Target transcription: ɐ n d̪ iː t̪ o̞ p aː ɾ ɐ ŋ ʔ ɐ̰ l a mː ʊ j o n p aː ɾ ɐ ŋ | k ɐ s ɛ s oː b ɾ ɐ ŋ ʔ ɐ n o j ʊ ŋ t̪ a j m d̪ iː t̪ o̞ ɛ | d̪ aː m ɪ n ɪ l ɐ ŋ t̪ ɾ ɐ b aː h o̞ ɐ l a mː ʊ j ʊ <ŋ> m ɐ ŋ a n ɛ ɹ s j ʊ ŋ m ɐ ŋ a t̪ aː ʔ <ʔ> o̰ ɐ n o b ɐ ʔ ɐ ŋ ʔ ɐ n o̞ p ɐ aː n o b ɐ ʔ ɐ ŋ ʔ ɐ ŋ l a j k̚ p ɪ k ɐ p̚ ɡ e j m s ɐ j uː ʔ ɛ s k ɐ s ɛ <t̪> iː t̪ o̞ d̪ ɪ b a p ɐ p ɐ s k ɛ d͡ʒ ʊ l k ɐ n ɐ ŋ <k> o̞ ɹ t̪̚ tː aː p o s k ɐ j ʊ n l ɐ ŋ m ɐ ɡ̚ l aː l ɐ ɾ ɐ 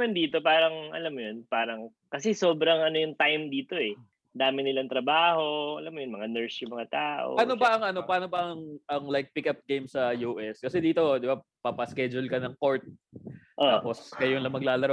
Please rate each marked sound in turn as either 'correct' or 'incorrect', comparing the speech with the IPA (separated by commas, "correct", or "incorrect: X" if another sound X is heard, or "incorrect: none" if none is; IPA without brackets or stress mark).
incorrect: n, correct, incorrect: d̪, correct